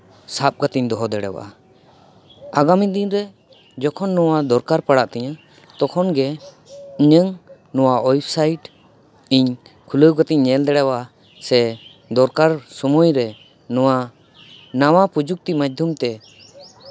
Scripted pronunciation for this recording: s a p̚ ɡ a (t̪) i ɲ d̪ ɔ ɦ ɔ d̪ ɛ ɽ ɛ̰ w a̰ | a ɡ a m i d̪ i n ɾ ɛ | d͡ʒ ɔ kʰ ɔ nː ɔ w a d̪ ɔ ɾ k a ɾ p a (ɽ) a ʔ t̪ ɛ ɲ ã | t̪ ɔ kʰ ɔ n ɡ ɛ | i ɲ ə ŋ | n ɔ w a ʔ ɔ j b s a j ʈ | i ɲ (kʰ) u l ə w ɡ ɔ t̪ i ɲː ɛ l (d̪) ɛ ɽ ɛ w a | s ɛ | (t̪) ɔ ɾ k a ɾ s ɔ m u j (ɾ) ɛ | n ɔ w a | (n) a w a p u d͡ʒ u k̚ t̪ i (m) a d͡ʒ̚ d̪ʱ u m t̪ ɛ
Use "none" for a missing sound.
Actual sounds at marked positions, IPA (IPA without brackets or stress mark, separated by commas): t̪, ɽ, kʰ, d̪, d̪, ɾ, n, m